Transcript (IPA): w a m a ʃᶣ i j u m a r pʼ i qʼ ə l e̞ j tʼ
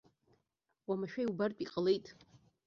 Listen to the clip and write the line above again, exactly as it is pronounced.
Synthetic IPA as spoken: w a m a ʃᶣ a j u b a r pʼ i qʼ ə l e̞ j tʼ